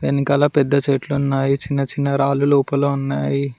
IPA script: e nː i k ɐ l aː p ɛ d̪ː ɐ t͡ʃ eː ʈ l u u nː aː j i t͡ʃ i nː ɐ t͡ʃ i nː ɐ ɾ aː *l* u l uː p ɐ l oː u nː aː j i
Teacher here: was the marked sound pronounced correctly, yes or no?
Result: yes